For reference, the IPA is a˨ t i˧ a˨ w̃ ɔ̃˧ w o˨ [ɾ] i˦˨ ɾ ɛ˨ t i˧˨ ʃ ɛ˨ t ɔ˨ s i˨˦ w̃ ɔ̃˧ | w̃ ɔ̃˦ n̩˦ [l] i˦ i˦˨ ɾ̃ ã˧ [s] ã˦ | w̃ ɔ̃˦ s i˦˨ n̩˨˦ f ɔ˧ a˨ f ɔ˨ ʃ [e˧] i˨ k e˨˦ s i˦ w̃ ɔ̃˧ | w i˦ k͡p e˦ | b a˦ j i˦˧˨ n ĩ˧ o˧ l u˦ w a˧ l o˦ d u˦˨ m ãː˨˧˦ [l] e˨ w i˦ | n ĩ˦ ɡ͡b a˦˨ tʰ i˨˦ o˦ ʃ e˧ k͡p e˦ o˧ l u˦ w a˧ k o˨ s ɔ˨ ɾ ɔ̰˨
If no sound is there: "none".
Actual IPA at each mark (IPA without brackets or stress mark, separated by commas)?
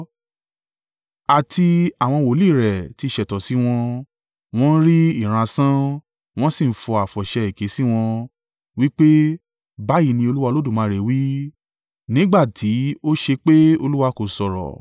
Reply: l, ɾ, s, ɛ˧, ɾ